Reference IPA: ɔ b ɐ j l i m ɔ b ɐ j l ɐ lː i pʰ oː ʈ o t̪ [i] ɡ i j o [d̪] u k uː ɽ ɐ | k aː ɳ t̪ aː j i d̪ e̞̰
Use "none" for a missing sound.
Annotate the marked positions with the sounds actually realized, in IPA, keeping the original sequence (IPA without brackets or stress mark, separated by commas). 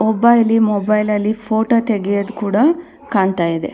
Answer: e, d̪